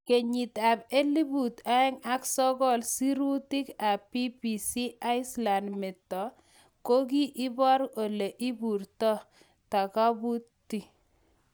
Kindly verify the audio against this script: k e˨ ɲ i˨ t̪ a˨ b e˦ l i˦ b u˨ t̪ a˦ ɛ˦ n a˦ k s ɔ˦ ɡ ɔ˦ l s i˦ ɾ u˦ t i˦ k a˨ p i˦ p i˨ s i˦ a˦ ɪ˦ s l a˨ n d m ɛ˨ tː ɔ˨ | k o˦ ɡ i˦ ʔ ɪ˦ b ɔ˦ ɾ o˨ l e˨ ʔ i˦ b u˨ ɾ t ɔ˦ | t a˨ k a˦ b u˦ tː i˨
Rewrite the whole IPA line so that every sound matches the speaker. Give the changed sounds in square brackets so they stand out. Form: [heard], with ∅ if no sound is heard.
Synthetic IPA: k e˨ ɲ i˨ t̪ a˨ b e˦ l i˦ b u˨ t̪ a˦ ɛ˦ [ŋ] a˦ k s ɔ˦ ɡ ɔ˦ l s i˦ ɾ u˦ t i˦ k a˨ p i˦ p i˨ s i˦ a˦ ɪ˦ s l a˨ n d m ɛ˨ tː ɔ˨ | k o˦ ɡ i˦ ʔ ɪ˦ b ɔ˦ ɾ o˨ l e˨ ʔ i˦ b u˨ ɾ t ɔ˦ | t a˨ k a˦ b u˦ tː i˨